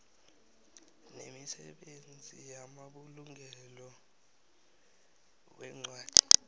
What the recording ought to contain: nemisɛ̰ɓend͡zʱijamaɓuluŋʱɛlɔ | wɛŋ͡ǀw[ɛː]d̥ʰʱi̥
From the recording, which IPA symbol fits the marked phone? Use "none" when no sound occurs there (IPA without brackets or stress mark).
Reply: aː